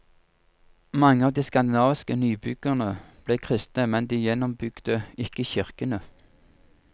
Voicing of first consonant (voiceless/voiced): voiced